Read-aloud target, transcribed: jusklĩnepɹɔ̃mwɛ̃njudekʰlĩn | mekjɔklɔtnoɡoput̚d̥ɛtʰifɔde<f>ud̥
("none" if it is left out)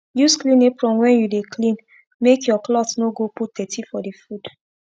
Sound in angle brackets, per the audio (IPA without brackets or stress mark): f